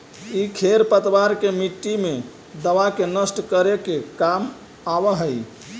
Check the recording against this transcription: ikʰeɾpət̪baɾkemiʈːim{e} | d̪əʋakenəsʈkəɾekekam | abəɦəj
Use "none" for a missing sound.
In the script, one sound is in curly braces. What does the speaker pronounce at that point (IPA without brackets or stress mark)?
e